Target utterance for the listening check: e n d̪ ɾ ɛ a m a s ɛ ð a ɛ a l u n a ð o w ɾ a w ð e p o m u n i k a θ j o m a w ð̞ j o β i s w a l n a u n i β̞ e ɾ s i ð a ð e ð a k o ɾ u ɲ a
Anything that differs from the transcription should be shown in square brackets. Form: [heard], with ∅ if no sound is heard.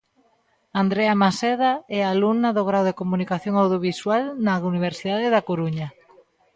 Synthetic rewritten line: [a] n d̪ ɾ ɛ a m a s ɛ ð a ɛ a l u n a ð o [ɣ] ɾ a w ð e [k] o m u n i k a θ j o [ŋ] a w ð̞ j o β i s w a l n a u n i β̞ e ɾ s i ð a ð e ð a k o ɾ u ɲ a